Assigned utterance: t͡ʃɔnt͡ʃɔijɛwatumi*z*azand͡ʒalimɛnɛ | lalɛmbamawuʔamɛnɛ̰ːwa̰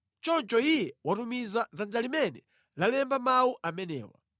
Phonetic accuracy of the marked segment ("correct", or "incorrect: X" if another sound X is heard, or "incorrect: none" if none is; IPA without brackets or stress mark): correct